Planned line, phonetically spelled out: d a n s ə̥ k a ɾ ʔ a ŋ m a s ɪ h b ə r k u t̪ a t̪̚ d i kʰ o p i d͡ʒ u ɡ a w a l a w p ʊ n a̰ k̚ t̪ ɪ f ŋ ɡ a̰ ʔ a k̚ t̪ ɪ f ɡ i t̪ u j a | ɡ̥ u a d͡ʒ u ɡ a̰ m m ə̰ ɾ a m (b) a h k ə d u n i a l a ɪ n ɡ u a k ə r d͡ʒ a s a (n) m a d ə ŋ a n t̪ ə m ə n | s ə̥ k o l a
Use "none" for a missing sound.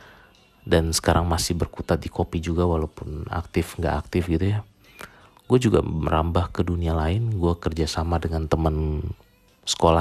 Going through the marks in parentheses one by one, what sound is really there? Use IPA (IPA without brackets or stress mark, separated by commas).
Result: b, none